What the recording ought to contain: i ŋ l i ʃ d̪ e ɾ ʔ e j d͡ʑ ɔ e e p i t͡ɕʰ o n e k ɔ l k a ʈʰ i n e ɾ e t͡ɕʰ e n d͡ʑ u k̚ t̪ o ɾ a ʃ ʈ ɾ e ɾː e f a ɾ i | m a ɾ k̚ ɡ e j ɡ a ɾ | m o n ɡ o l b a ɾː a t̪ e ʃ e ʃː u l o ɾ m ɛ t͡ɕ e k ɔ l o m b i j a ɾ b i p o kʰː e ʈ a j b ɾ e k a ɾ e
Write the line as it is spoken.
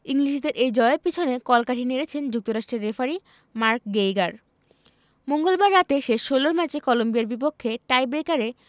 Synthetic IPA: i ŋ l i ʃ d̪ e ɾ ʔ e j d͡ʑ ɔ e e p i t͡ɕʰ o n e k ɔ l k a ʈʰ i n e ɾ e t͡ɕʰ e n d͡ʑ u k̚ t̪ o ɾ a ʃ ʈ ɾ e ɾː e f a ɾ i | m a ɾ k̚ ɡ e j ɡ a ɾ | m o ŋ ɡ o l b a ɾː a t̪ e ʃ e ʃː o l o ɾ m ɛ t͡ɕ e k ɔ l o m b i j a ɾ b i p o kʰː e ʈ a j b ɾ e k a ɾ e